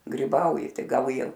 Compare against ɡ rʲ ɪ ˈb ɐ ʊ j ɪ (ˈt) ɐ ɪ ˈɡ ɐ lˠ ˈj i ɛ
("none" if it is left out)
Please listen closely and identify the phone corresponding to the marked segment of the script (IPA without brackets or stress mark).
t